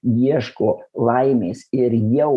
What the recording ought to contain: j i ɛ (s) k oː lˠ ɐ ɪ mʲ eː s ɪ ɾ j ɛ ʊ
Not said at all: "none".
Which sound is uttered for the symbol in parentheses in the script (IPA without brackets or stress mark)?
ʃ